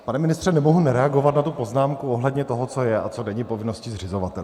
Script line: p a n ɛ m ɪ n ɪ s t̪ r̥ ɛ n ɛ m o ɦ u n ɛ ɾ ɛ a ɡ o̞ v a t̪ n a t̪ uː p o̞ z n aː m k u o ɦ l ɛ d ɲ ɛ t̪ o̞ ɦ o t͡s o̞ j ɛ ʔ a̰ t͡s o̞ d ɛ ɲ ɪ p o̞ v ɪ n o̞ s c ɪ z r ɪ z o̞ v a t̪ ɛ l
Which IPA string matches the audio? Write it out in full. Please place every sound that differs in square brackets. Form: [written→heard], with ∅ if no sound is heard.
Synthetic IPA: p a n ɛ m ɪ n ɪ s t̪ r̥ ɛ n ɛ m o ɦ u n ɛ ɾ ɛ a ɡ o̞ v a t̪ n a t̪ [uː→u] p o̞ z n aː m k u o ɦ l ɛ d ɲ ɛ t̪ o̞ ɦ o t͡s o̞ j ɛ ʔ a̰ t͡s o̞ d ɛ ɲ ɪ p o̞ v ɪ n o̞ s c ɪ z r ɪ z o̞ v a t̪ ɛ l